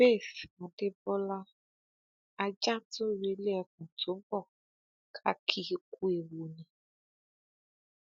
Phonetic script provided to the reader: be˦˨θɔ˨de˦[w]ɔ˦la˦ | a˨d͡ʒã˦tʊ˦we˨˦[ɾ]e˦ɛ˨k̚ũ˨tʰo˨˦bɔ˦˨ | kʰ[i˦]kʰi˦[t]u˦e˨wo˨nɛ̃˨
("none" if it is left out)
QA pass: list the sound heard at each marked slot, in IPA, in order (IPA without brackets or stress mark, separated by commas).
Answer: b, l, a˦, k